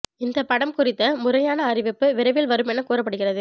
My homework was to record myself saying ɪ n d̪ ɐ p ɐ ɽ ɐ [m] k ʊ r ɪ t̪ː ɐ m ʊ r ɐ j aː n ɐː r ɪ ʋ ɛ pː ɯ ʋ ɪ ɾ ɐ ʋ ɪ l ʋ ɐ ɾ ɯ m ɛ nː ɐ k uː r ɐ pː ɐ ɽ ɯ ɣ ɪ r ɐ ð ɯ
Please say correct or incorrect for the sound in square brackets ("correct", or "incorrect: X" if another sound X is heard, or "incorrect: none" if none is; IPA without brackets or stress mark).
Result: correct